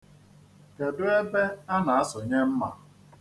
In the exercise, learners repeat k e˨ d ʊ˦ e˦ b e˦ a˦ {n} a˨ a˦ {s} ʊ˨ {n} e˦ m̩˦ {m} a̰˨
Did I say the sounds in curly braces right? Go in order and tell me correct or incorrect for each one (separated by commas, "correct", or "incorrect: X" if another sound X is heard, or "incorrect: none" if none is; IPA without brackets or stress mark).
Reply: correct, correct, incorrect: ɲ, correct